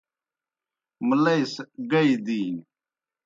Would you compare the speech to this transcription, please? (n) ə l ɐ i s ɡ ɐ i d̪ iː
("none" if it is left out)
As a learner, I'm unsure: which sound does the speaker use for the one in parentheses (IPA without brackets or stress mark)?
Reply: m